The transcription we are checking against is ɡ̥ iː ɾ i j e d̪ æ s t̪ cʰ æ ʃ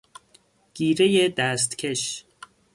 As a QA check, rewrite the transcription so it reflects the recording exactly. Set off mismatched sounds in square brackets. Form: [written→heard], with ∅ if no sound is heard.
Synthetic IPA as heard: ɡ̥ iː ɾ [i→e] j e d̪ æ s t̪ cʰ [æ→e] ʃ